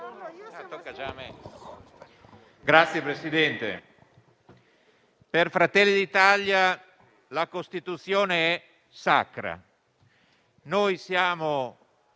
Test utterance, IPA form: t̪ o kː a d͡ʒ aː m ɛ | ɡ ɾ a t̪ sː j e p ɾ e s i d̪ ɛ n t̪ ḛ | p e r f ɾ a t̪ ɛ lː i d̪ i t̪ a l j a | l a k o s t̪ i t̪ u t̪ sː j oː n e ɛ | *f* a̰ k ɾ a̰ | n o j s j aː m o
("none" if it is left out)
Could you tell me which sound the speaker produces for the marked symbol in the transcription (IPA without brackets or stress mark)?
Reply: s